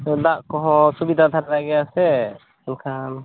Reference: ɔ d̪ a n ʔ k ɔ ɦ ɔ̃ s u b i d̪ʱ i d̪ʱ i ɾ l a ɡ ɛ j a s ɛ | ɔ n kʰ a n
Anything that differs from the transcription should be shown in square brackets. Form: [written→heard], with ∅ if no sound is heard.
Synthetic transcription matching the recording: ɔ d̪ a [n→∅] ʔ k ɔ ɦ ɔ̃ s u b i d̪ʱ [i→a] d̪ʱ [i→a] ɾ l a ɡ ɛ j a s ɛ | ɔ n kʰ a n